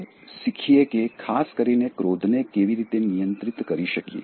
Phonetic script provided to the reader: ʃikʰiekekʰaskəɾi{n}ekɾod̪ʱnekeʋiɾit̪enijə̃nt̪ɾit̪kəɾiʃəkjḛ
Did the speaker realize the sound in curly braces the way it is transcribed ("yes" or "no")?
yes